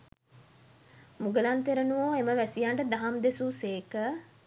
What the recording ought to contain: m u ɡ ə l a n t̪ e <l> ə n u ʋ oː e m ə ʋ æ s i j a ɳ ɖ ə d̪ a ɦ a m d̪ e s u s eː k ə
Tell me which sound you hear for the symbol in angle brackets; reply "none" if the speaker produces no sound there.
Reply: ɾ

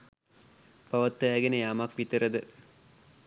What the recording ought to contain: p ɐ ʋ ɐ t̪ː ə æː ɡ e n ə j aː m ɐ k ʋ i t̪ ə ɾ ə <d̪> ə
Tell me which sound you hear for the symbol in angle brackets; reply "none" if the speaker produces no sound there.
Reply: d̪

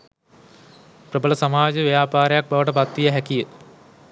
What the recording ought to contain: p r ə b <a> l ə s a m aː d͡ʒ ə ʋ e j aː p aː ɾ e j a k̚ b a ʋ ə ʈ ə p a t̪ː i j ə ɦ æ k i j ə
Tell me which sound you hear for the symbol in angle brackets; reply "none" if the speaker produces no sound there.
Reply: ə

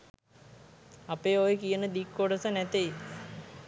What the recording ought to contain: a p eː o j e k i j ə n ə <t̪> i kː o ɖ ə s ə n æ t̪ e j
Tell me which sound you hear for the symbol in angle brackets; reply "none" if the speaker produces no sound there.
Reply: d̪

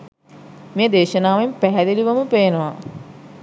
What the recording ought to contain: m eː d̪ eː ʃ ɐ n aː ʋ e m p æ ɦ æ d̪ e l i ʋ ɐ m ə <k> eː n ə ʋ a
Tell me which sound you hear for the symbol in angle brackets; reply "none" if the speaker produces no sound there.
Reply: p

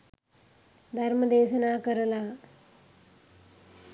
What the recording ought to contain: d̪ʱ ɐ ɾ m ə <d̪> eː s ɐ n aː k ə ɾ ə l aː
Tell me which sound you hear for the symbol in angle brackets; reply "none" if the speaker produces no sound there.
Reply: d̪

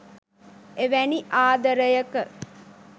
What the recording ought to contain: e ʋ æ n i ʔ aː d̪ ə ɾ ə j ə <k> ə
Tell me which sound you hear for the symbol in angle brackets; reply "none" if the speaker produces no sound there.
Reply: k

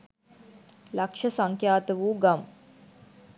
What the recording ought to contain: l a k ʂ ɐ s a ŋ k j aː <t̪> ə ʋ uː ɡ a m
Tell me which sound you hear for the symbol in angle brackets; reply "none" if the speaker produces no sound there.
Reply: t̪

